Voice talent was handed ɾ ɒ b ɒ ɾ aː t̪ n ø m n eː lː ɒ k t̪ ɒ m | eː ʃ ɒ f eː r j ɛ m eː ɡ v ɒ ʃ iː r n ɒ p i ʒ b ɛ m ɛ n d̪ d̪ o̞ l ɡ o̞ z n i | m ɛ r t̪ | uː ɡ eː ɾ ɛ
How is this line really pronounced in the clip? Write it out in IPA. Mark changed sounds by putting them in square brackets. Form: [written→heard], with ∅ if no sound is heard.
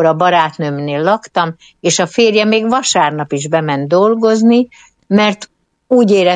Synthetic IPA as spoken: ɾ ɒ b ɒ ɾ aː t̪ n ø m n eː lː ɒ k t̪ ɒ m | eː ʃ ɒ f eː r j ɛ m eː ɡ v ɒ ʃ [iː→aː] r n ɒ p i ʒ b ɛ m ɛ n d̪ d̪ o̞ l ɡ o̞ z n i | m ɛ r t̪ | uː [ɡ→ɟ] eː ɾ ɛ